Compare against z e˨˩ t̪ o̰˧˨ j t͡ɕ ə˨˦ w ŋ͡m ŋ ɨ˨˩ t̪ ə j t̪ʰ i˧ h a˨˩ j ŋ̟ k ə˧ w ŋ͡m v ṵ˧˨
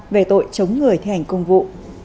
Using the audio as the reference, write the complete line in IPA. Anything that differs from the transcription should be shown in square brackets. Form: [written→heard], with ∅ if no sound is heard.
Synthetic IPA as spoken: [z→v] e˨˩ t̪ o̰˧˨ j t͡ɕ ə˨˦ w ŋ͡m ŋ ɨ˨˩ [t̪→∅] ə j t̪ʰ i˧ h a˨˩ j ŋ̟ k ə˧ w ŋ͡m v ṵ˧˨